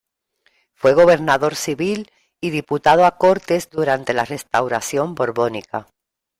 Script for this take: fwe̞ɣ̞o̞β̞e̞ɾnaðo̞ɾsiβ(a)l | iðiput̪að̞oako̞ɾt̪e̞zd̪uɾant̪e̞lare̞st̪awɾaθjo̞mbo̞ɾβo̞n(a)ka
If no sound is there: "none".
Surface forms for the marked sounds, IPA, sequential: i, i

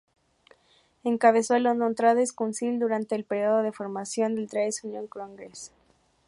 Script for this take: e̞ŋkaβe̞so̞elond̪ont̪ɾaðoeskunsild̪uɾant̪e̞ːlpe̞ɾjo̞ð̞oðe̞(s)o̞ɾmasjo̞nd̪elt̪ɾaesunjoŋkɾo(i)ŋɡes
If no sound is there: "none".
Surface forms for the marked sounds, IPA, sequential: f, a

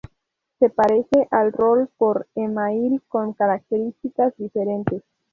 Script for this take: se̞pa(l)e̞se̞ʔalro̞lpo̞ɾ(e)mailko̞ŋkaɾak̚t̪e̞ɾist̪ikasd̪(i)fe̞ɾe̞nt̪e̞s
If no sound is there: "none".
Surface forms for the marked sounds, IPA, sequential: ɾ, e, i

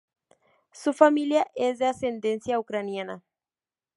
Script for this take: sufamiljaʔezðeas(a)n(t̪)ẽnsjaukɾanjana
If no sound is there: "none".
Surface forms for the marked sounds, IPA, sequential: e, d̪

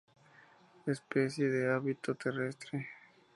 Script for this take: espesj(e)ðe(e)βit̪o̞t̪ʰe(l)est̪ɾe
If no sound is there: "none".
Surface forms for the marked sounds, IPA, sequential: e, a, r

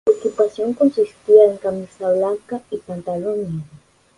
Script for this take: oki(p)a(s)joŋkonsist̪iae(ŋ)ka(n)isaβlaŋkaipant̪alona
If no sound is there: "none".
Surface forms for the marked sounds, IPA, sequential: p, s, ŋ, m

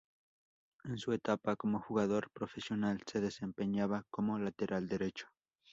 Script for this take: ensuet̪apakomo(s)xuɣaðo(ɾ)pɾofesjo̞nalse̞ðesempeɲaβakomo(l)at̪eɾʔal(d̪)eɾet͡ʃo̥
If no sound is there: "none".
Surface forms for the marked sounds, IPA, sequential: none, ɾ, l, d̪

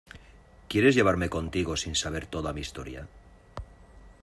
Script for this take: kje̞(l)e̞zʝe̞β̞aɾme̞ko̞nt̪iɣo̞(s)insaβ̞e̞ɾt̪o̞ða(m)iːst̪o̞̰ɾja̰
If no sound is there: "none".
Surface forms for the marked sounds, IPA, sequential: ɾ, s, m

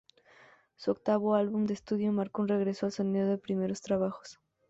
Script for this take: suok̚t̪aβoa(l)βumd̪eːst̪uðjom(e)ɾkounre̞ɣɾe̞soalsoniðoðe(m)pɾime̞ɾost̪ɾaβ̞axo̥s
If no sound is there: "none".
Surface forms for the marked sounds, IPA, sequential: l, a, none

